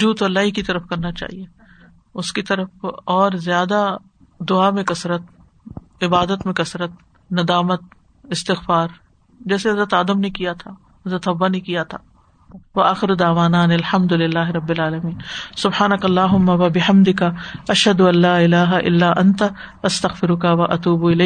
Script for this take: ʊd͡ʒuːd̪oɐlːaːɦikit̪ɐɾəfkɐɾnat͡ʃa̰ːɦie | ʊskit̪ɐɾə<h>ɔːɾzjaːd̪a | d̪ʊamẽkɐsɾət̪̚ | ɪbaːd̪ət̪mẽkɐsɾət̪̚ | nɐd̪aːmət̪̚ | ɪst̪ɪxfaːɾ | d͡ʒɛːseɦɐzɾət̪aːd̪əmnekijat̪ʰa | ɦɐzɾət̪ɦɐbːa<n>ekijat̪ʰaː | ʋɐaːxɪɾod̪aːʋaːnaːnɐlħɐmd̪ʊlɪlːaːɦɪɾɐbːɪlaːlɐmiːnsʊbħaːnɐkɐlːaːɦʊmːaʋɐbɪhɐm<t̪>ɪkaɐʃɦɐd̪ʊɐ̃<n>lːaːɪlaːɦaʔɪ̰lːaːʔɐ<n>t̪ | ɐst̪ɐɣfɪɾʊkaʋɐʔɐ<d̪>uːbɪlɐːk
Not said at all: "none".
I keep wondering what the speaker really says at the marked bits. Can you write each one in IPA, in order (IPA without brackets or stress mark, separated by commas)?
f, n, d̪, n, n, t̪